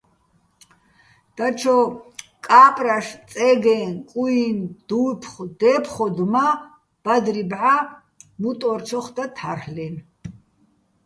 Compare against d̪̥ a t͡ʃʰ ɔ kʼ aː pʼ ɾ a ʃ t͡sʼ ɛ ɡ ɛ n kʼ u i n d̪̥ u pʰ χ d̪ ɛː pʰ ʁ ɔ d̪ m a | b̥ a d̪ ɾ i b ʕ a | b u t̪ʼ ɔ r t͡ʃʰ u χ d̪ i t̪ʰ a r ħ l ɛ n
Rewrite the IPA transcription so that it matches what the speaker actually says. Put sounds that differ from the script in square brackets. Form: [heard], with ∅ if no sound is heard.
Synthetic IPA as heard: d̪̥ a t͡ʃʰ ɔ kʼ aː pʼ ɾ a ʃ t͡sʼ ɛ ɡ ɛ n kʼ u i n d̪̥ u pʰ χ d̪ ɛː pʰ [χ] ɔ d̪ m a | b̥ a d̪ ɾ i b ʕ a | [m] u t̪ʼ ɔ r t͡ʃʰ [ɔ] χ d̪ [a] t̪ʰ a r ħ l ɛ n